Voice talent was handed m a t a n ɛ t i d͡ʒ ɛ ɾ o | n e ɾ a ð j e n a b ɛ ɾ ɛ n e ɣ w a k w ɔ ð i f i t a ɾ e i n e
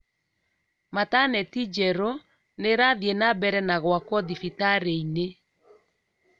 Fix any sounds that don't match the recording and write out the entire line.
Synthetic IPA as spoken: m a t a n ɛ t i d͡ʒ ɛ ɾ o | n e ɾ a ð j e n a b ɛ ɾ ɛ n a ɣ w a k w ɔ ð i f i t a ɾ e i n e